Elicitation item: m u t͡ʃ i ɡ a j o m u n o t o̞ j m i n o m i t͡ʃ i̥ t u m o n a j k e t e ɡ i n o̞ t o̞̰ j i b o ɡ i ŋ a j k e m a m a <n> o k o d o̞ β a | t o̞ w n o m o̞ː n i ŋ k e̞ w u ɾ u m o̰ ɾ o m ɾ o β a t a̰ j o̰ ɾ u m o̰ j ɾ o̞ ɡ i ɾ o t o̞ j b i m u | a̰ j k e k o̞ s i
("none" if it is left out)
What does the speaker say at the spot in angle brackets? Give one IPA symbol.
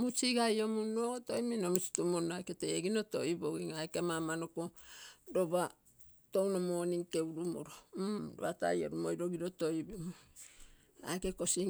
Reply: n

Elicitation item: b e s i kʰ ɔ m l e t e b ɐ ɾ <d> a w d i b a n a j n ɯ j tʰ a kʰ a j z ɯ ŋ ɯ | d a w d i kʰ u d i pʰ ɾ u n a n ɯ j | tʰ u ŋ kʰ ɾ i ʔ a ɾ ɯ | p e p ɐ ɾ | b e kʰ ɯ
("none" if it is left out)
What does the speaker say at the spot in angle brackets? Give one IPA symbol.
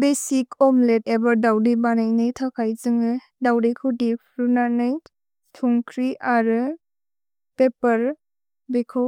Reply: d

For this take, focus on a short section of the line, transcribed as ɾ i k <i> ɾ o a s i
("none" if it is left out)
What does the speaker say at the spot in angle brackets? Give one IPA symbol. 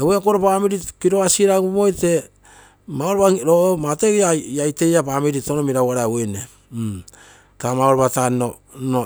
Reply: i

